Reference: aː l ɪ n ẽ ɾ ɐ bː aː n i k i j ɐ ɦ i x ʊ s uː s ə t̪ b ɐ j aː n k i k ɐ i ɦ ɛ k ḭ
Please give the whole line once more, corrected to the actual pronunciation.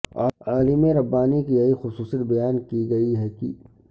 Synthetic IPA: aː l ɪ m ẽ ɾ ɐ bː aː n i k i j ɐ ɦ i x ʊ s uː s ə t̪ b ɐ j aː n k i ɡ ɐ i ɦ ɛ k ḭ